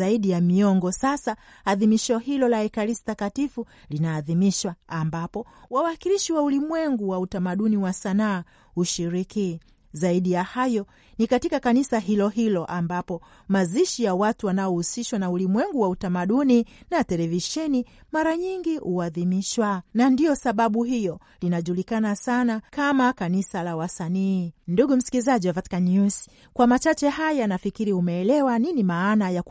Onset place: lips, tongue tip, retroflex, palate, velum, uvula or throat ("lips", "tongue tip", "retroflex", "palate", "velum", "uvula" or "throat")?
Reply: tongue tip